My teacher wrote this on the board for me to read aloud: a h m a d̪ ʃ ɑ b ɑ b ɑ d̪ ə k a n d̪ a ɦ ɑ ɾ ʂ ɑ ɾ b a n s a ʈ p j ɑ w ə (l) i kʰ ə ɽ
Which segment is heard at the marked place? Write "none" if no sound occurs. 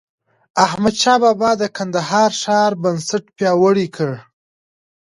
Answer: ɽ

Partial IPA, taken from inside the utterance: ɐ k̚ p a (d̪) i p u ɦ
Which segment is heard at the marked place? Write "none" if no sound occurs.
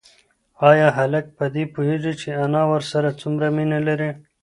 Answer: d̪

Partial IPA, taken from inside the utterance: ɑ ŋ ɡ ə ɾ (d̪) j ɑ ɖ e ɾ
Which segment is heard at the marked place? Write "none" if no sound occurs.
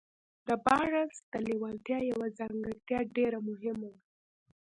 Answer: t̪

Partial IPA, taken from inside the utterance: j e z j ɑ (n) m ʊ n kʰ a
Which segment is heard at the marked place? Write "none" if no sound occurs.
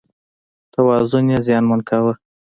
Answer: n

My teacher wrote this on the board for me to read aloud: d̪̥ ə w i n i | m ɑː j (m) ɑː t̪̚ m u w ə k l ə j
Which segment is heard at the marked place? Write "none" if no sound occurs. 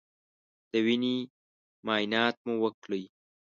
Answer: n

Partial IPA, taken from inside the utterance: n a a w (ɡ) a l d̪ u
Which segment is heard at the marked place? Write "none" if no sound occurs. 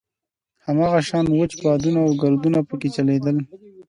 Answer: ɡ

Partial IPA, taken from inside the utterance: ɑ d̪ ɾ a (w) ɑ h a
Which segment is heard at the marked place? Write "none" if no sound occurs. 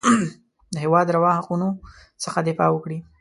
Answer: w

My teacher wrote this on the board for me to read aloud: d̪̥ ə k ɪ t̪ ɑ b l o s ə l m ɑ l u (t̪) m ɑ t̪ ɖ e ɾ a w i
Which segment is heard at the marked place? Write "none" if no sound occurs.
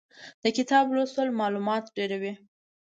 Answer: none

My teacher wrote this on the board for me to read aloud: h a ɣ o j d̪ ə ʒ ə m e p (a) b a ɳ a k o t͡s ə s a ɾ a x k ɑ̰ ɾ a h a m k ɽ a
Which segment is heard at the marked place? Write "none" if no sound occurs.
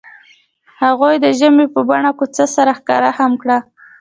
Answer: ə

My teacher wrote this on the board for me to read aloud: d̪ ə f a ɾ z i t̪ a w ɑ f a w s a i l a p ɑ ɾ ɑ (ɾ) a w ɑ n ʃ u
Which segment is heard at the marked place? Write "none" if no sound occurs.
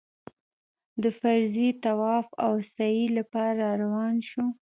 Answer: ɾ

